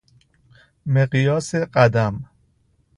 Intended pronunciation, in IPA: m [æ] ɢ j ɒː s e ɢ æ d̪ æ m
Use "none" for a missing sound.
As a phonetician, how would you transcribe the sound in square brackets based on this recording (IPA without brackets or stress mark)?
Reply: e